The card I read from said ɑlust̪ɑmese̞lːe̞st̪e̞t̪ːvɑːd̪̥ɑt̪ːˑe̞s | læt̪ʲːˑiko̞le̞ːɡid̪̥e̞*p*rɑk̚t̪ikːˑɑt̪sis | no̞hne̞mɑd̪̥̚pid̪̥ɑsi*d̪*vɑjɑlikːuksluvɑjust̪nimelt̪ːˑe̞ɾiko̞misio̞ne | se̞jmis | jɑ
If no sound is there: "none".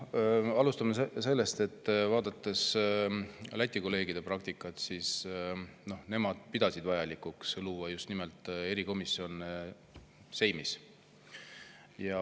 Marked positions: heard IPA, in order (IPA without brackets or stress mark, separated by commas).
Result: p, d̪